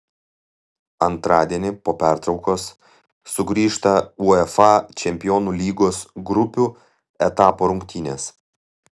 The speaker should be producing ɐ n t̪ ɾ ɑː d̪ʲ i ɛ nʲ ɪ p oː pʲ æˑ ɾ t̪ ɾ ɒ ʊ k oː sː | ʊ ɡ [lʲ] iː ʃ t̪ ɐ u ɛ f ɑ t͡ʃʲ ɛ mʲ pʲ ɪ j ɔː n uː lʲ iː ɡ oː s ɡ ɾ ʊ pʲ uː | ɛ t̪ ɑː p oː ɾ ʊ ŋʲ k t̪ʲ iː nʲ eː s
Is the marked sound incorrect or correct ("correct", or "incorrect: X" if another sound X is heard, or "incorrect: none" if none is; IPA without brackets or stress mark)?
incorrect: ɾʲ